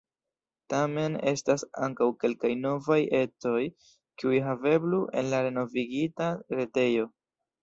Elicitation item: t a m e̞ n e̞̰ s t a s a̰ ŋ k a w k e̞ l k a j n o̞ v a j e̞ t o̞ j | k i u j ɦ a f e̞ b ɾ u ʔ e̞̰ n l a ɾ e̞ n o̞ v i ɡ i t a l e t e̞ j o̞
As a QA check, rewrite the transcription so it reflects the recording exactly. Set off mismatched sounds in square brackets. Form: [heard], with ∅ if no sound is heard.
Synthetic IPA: t a m e̞ n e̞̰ s t a s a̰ ŋ k a w k e̞ l k a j n o̞ v a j e̞ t o̞ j | k i u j ɦ a [v] e̞ b [l] u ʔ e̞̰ n l a ɾ e̞ n o̞ v i ɡ i t a [ɾ] e t e̞ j o̞